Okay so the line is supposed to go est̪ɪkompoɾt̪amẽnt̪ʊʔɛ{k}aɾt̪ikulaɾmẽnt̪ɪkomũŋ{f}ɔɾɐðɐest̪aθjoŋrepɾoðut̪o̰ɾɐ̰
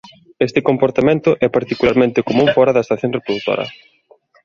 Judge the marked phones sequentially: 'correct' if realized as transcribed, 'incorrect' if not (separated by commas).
incorrect, correct